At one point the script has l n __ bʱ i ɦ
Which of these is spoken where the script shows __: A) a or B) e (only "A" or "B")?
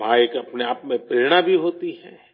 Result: A